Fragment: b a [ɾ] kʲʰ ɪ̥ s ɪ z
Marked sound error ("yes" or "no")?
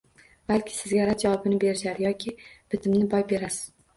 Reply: yes